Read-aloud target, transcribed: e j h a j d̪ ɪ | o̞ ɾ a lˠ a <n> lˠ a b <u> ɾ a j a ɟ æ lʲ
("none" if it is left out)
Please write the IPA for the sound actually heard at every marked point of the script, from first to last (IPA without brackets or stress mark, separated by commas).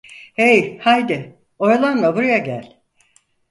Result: n, u